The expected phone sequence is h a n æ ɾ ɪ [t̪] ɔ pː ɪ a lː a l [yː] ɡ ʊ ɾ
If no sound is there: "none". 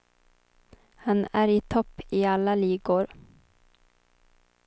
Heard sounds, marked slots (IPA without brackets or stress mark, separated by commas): t̪ʰ, iː